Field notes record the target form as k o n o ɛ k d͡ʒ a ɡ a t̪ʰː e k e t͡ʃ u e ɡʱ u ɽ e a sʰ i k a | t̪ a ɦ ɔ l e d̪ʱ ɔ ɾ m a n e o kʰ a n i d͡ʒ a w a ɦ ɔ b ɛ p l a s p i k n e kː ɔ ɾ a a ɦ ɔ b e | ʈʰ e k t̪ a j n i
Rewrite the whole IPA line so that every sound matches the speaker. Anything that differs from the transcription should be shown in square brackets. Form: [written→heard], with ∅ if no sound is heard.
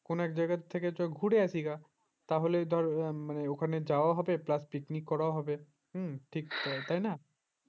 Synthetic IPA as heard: k o n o ɛ k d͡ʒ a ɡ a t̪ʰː e k e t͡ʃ [u→ɔ] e ɡʱ u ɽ e a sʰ i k a | t̪ a ɦ [ɔ→o] l e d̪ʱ ɔ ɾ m a n e o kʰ a n [i→e] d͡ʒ a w a ɦ ɔ b [ɛ→e] p l a s p i k n [e→i] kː ɔ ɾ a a ɦ ɔ b e | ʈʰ [e→i] k t̪ a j n [i→a]